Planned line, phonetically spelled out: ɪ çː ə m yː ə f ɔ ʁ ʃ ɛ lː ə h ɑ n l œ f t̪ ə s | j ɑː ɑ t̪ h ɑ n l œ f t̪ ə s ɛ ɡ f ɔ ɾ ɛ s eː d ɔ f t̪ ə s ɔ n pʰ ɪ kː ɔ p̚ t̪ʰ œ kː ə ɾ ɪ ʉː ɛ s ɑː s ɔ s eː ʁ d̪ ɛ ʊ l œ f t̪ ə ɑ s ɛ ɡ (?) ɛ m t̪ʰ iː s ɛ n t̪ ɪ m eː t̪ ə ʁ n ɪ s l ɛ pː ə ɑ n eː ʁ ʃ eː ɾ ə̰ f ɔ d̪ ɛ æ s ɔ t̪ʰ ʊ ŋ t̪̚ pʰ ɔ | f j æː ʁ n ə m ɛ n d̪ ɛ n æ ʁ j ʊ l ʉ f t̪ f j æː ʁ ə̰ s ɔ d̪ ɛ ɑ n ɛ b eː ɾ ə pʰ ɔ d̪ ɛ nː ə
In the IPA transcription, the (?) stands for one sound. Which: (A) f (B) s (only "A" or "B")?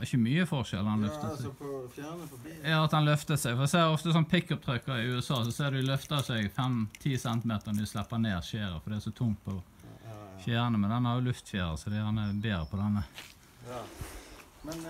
A